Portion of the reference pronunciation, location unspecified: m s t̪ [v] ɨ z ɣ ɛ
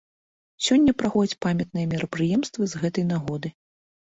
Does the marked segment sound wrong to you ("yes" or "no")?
no